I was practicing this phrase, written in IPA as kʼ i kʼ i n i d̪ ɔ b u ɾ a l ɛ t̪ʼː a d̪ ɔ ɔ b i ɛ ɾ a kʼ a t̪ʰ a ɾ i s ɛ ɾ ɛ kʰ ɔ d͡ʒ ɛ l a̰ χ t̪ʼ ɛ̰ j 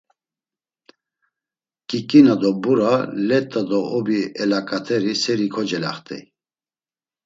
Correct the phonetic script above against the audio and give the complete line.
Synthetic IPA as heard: kʼ i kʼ i n a d̪ ɔ b u ɾ a l ɛ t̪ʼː a d̪ ɔ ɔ b i ɛ l a kʼ a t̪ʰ ɛ ɾ i s ɛ ɾ i kʰ ɔ d͡ʒ ɛ l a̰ χ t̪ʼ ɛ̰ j